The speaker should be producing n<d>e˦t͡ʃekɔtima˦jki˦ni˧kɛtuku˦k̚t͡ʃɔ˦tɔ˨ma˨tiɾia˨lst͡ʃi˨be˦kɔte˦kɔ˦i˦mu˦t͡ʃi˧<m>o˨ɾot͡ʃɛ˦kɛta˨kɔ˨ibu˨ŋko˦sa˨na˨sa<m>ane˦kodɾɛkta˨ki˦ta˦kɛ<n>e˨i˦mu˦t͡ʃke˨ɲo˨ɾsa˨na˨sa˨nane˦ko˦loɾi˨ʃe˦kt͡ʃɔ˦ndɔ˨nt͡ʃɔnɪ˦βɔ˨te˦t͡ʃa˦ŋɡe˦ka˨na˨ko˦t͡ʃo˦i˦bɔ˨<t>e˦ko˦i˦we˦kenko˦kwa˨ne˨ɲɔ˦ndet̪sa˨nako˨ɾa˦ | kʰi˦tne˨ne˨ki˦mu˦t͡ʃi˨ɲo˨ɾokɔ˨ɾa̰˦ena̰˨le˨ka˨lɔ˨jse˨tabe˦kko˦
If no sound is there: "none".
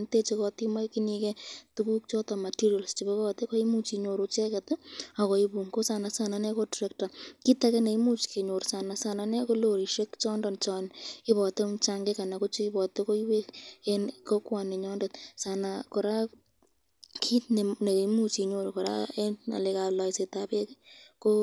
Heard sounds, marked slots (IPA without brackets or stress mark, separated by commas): t, ɲ, n, n, t